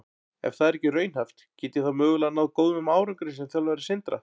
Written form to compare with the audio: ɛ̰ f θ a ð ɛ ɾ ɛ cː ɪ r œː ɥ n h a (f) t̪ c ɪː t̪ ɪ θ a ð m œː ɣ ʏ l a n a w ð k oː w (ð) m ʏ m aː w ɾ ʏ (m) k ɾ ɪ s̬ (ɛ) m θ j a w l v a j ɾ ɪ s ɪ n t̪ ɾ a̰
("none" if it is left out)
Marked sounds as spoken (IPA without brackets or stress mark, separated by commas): f, ð, ŋ, ɛ